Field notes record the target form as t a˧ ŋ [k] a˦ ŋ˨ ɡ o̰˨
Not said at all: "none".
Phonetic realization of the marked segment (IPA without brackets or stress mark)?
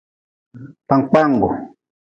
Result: k͡p